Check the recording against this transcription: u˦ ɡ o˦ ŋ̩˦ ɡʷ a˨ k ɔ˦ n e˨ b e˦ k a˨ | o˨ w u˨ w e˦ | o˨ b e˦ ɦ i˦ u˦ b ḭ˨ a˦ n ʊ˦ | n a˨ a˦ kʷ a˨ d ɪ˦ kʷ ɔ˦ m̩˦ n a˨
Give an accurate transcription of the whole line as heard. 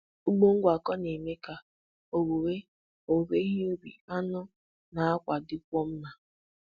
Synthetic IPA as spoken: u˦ ɡ͡b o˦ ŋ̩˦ ɡʷ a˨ k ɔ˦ n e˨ m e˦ k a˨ | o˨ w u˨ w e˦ | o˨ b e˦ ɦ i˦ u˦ b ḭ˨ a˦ n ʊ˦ | n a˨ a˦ kʷ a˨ d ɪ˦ kʷ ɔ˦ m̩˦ n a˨